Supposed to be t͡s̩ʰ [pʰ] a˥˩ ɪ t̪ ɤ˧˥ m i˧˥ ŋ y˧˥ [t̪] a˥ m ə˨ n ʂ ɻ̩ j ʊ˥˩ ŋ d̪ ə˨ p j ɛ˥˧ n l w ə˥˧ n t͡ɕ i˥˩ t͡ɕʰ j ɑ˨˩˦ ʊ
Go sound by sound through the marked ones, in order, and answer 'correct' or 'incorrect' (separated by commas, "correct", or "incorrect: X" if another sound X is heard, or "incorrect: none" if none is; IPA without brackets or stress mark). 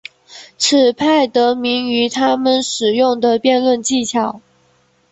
correct, incorrect: t̪ʰ